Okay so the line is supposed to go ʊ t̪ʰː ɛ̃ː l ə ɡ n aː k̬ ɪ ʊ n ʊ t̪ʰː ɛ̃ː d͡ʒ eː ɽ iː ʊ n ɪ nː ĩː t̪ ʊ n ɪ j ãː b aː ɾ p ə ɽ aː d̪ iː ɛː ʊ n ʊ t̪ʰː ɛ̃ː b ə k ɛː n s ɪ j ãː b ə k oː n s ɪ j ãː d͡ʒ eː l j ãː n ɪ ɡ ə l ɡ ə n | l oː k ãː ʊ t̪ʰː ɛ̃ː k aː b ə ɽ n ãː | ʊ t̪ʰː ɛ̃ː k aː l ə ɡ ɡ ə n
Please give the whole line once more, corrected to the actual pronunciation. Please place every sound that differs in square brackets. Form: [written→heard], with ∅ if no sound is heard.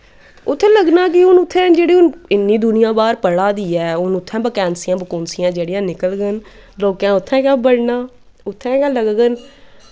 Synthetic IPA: ʊ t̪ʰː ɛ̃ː l ə ɡ n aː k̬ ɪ ʊ n ʊ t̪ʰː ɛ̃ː d͡ʒ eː ɽ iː ʊ n ɪ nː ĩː [t̪→d̪] ʊ n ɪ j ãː b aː ɾ p ə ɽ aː d̪ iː ɛː ʊ n ʊ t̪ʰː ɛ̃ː b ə k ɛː n s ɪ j ãː b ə k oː n s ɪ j ãː d͡ʒ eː [l→ɽ] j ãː n ɪ [ɡ→k] ə l ɡ ə n | l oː k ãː ʊ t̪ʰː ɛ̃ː k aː b ə ɽ n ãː | ʊ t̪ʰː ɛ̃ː k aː l ə ɡ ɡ ə n